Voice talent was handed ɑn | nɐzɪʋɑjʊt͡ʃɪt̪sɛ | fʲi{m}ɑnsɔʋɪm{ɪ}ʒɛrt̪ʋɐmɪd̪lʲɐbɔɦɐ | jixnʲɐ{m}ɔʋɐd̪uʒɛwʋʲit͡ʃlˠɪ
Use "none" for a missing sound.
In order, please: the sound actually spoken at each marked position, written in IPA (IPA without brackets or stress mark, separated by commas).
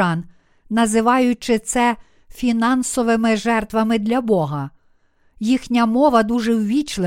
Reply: n, ɪ, m